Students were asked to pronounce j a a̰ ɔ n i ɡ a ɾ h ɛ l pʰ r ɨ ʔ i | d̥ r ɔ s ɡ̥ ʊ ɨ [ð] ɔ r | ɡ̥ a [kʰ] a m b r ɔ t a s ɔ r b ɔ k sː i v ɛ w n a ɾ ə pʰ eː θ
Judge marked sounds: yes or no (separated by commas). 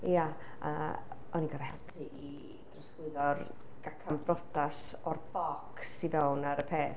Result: yes, yes